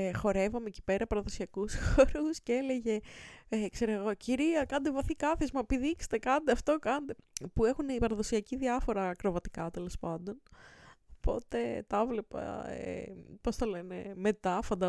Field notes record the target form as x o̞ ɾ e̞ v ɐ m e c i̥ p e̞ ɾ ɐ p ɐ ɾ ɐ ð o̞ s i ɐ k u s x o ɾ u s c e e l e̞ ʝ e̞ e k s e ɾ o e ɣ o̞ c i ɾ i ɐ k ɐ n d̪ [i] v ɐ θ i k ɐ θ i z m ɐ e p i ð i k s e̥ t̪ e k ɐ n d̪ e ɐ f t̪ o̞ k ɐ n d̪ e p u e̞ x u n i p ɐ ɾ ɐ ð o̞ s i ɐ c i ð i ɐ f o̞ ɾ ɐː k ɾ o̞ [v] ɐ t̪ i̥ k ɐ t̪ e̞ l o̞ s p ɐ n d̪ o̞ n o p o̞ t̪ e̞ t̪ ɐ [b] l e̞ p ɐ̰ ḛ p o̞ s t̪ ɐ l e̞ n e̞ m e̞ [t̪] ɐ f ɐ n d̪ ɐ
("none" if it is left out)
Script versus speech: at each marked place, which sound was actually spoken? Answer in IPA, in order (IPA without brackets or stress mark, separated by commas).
e, v, v, t̪